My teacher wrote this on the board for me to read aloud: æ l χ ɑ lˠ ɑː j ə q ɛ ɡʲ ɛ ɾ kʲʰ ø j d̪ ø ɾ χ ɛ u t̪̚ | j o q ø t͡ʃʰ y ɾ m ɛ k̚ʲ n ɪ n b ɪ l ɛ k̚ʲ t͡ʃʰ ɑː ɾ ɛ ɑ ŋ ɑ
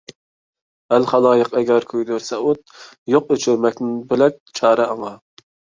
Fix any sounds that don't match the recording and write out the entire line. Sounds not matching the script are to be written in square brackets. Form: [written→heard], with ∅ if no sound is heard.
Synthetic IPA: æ l χ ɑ lˠ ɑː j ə q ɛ ɡʲ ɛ ɾ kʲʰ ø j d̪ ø ɾ [χ→s] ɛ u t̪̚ | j o q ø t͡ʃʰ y ɾ m ɛ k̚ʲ n ɪ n b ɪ l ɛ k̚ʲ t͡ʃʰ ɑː ɾ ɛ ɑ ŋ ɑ